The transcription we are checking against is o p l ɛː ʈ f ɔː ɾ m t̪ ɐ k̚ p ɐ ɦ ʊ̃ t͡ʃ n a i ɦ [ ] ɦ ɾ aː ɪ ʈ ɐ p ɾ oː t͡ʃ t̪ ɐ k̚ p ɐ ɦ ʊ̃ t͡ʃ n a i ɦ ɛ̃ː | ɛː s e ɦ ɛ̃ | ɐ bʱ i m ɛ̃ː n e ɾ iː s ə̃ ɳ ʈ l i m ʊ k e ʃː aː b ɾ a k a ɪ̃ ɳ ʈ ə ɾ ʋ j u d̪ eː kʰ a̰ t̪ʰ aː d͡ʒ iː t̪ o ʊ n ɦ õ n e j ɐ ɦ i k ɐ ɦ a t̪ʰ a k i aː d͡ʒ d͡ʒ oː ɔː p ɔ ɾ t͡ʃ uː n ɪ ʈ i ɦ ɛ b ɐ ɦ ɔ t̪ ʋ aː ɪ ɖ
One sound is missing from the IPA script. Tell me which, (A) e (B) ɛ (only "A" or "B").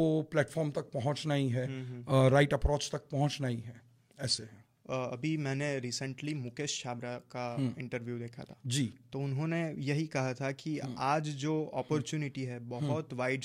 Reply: B